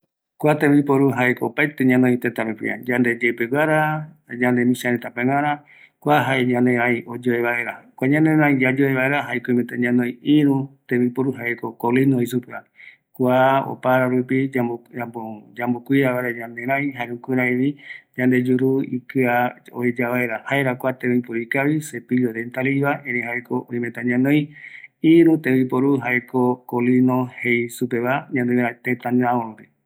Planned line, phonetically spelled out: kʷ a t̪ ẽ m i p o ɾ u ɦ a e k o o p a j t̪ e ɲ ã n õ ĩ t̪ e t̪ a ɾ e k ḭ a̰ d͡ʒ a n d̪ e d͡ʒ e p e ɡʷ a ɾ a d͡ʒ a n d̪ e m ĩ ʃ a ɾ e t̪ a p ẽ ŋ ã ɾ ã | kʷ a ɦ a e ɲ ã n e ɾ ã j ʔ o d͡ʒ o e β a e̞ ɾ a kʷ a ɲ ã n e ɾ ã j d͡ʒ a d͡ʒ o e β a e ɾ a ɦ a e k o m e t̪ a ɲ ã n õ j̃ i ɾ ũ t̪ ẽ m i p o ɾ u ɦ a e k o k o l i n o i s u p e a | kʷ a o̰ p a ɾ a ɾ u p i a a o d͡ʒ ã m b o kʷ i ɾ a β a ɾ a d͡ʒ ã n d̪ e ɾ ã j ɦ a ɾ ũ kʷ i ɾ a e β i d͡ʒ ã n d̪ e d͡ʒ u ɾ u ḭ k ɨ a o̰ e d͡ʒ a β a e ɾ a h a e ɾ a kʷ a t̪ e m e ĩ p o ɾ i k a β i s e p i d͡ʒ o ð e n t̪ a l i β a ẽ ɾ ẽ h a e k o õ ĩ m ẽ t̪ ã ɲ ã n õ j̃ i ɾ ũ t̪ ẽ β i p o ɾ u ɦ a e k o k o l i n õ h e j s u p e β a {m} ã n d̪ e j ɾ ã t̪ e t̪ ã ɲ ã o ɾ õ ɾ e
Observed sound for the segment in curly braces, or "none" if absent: ɲ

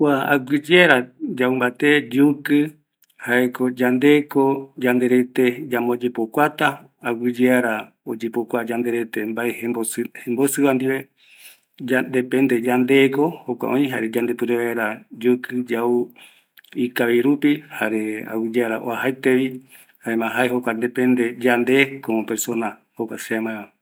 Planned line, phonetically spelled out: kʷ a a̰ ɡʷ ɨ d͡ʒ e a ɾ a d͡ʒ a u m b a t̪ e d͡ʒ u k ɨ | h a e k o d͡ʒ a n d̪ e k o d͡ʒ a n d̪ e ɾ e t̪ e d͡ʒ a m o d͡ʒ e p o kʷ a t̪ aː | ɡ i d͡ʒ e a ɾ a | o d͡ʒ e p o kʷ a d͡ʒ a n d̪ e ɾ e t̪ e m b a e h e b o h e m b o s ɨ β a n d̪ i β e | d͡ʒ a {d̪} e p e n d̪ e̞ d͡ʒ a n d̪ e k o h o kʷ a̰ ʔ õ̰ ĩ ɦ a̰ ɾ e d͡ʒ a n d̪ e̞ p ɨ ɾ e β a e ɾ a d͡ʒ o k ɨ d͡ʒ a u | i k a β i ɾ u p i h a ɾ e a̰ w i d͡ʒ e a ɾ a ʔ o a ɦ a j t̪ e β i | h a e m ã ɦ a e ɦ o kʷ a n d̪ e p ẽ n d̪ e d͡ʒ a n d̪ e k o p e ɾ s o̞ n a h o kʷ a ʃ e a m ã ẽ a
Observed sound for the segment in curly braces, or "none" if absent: d̪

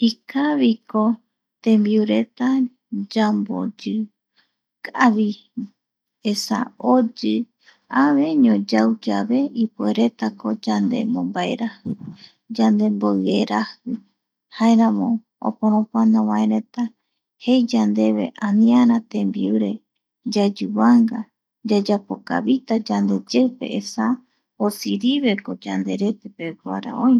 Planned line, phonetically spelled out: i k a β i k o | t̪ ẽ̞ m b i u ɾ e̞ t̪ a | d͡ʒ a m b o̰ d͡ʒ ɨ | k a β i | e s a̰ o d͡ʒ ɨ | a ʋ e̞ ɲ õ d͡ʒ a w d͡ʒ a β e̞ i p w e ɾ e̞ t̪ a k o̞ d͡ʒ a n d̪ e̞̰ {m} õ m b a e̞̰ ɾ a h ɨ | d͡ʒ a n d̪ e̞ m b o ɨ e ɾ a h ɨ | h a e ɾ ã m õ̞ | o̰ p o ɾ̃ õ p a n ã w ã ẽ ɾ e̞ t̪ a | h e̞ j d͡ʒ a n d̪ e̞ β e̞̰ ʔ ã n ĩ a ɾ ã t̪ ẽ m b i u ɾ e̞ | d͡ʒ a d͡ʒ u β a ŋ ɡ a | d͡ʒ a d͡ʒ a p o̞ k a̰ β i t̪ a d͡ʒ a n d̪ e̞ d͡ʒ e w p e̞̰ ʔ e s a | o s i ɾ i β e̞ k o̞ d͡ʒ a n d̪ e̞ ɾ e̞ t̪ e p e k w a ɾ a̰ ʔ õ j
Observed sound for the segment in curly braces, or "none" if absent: m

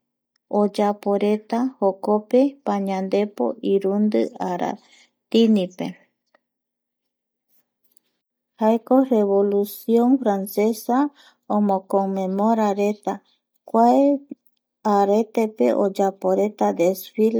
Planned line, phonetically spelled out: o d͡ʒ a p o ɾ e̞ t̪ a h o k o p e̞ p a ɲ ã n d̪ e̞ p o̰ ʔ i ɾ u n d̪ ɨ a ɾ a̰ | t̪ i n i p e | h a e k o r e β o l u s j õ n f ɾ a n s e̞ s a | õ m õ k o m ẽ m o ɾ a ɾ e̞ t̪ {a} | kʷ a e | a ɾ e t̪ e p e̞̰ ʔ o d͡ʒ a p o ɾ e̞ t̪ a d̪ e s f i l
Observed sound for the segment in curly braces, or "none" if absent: a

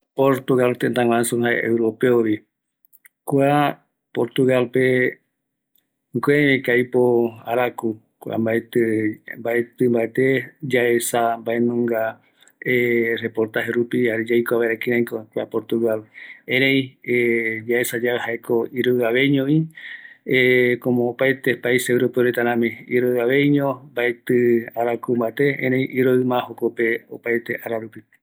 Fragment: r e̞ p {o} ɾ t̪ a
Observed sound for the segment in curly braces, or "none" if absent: o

